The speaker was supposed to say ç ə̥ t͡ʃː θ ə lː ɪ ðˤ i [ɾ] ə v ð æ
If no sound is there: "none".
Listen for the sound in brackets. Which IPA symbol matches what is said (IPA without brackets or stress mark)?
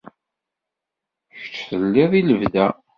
l